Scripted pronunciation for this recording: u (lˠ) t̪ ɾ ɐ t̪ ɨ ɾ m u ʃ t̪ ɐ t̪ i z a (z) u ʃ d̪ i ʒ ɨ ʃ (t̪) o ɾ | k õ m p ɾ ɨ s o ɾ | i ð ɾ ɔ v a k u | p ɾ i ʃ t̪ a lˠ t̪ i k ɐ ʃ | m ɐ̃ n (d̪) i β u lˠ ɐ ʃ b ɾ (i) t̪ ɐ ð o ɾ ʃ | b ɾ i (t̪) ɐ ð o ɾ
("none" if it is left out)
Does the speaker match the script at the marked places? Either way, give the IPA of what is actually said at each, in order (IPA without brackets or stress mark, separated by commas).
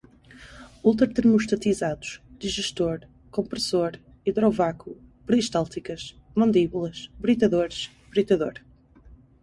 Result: lˠ, ð, t̪, d̪, i, t̪